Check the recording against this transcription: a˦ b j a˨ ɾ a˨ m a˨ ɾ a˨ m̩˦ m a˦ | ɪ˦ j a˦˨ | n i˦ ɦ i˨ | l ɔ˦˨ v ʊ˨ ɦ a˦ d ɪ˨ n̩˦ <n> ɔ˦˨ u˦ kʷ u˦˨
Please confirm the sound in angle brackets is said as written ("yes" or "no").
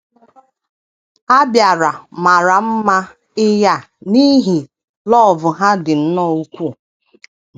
yes